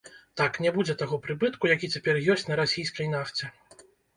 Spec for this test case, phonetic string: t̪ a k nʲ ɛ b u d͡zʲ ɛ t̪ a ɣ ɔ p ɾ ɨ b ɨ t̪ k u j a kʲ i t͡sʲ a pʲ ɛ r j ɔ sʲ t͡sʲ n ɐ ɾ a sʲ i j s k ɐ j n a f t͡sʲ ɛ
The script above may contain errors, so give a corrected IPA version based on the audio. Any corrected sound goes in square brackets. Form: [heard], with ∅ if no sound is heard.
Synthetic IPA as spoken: t̪ a k nʲ ɛ b u d͡zʲ ɛ t̪ a ɣ ɔ p ɾ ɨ b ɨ t̪ k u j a kʲ i t͡sʲ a pʲ ɛ r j ɔ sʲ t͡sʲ n ɐ ɾ a sʲ i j s k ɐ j n a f t͡sʲ ɛ